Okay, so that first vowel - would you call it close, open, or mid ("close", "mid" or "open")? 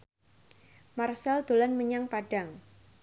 open